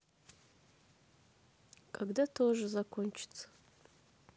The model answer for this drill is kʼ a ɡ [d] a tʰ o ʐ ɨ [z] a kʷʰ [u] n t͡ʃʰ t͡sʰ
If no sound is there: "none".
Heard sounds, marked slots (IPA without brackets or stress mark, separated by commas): d, z, o